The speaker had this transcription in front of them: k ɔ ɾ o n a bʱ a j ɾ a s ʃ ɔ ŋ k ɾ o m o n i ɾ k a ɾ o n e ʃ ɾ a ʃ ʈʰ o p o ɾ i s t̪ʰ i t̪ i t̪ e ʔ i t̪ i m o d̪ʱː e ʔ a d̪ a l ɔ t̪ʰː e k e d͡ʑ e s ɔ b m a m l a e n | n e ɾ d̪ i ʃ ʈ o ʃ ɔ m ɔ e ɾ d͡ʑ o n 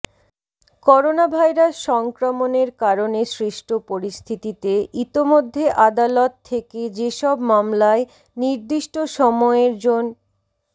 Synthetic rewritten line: k ɔ ɾ o n a bʱ a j ɾ a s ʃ ɔ ŋ k ɾ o m o n e ɾ k a ɾ o n e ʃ ɾ i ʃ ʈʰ o p o ɾ i s t̪ʰ i t̪ i t̪ e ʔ i t̪ i m o d̪ʱː e ʔ a d̪ a l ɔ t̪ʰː e k e d͡ʑ e ʃ ɔ b m a m l a e | n i ɾ d̪ i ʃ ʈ o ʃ ɔ m ɔ e ɾ d͡ʑ o n